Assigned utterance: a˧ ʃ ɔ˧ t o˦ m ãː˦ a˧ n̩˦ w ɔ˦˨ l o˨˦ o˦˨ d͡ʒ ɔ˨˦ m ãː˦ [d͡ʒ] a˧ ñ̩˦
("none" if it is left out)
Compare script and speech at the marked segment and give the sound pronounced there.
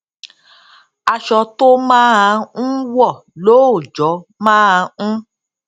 none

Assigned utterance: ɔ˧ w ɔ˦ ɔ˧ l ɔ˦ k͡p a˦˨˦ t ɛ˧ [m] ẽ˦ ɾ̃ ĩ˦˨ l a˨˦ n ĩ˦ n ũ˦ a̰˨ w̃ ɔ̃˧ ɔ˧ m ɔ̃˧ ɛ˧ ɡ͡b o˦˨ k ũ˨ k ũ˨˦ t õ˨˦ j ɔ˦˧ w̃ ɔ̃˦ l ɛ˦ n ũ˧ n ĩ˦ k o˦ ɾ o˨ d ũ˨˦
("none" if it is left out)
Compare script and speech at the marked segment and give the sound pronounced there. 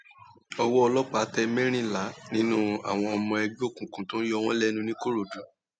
m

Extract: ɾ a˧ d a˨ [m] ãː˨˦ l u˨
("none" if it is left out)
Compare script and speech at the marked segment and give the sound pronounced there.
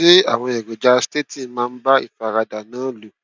n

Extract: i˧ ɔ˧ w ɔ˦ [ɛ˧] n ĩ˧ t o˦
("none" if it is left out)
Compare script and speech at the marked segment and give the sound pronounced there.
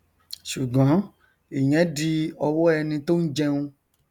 ɛ˧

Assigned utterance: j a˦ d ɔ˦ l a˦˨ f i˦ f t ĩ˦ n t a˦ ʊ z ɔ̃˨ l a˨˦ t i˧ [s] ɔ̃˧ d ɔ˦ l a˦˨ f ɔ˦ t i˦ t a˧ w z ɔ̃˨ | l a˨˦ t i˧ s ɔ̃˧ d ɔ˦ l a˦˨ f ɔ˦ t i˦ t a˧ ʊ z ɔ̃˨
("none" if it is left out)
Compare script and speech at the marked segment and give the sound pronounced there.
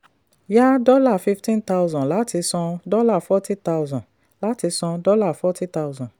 s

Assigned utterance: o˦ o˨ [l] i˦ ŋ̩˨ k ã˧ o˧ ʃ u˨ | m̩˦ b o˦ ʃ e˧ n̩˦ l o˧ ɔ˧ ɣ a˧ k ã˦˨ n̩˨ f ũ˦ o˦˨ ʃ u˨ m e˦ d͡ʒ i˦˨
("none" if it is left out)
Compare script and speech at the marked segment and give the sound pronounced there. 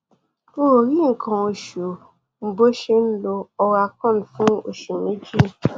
ɾ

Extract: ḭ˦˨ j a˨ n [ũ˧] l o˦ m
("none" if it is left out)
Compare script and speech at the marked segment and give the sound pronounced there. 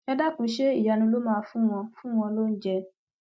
ũ˧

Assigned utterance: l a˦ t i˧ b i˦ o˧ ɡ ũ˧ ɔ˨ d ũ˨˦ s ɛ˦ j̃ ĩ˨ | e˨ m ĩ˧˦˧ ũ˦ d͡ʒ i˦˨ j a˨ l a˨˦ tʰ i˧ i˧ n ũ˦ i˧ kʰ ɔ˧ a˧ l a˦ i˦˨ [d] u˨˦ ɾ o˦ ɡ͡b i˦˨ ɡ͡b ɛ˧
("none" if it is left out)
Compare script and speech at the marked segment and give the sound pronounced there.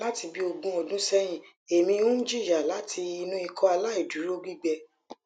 d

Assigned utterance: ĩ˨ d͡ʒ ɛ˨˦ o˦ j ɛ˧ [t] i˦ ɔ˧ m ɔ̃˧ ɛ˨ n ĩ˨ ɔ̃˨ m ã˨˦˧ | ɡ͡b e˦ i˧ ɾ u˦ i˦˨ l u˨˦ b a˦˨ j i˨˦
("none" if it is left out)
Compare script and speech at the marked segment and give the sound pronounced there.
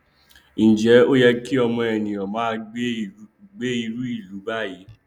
k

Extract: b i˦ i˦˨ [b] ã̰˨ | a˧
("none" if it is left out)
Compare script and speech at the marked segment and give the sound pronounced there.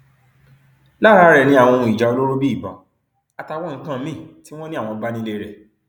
b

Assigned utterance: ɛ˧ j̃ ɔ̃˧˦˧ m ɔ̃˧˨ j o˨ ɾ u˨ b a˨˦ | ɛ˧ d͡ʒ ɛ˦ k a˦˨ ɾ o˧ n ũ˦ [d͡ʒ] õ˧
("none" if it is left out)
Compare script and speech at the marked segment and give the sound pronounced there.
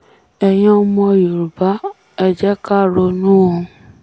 none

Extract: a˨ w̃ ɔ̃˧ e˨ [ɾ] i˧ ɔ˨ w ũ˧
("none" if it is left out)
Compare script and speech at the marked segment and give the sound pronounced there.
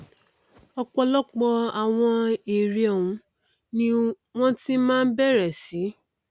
ɾ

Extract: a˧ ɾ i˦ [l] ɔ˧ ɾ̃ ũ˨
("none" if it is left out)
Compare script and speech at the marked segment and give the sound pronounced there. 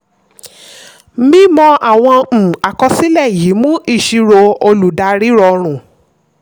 ɾ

